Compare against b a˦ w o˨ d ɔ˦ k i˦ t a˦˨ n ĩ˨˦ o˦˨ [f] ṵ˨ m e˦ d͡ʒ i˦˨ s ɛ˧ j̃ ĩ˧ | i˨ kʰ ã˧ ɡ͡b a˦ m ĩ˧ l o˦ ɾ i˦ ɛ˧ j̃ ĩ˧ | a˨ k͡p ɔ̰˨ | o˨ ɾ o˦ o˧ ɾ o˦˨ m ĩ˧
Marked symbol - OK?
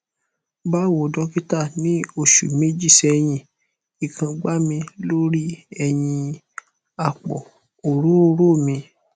no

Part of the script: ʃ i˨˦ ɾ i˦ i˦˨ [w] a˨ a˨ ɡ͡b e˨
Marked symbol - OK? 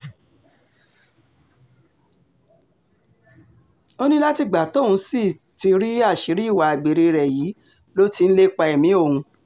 yes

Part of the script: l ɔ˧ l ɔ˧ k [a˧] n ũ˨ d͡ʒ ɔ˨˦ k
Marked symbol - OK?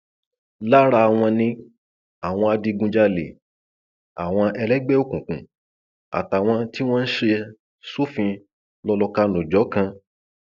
yes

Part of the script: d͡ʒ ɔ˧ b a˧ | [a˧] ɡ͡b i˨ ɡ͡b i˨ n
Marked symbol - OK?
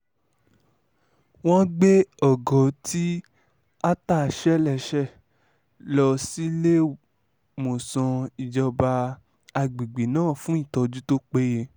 yes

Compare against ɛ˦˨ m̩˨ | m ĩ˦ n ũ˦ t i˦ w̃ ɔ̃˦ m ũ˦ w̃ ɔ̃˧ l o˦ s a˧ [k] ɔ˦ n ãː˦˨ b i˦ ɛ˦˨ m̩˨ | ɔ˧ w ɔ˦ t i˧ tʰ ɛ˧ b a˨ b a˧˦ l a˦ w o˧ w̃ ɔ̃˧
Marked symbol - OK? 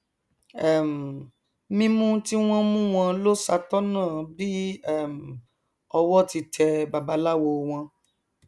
no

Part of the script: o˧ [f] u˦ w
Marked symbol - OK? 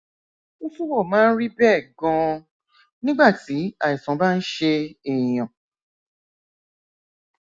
yes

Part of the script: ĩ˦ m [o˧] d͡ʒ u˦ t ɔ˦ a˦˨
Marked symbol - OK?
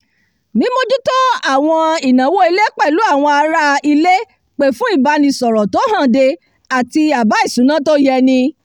yes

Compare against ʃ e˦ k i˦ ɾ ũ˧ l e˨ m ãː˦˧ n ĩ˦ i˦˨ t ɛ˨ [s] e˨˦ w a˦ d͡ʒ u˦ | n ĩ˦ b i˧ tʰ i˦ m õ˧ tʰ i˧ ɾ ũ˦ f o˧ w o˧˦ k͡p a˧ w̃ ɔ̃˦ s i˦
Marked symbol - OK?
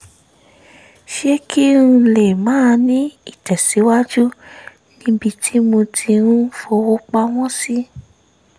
yes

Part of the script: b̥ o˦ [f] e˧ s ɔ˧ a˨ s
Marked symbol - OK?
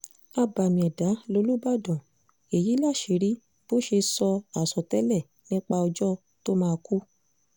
no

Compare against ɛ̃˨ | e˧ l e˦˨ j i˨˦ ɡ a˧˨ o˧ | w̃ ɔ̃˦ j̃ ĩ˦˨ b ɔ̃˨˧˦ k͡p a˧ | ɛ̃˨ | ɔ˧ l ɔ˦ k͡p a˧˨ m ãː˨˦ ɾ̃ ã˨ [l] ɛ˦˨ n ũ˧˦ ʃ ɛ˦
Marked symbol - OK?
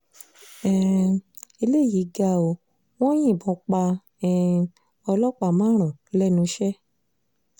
yes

